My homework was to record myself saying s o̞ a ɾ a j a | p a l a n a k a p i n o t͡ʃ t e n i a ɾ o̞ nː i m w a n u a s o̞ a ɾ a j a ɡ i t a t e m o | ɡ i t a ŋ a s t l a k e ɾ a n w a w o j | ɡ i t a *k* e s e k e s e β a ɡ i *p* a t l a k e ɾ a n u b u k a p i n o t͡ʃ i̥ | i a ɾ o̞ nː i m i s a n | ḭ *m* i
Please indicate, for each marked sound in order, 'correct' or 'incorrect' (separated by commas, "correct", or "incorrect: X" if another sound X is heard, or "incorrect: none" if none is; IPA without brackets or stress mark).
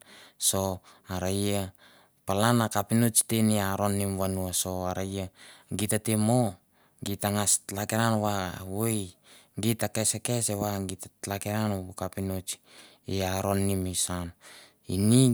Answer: correct, incorrect: t, incorrect: n